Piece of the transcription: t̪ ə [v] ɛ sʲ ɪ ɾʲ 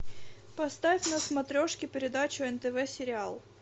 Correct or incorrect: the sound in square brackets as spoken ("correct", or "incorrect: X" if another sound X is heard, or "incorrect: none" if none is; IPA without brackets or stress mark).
correct